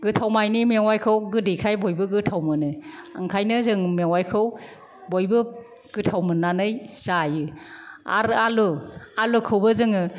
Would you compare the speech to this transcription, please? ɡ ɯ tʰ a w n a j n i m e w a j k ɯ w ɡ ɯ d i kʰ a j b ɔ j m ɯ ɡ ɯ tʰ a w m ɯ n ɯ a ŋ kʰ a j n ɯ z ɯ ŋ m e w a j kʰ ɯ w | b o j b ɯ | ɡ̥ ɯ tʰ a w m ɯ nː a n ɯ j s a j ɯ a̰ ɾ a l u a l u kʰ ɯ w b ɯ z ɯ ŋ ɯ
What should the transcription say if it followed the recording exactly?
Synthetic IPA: ɡ ɯ tʰ a w m a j n i m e w a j kʰ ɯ w ɡ ɯ d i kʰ a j b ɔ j b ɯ ɡ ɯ tʰ a w m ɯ n ɯ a ŋ kʰ a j n ɯ z ɯ ŋ m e w a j kʰ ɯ w | b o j b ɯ | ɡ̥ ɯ tʰ a w m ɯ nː a n ɯ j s a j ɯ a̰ ɾ a l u a l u kʰ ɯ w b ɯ z ɯ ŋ ɯ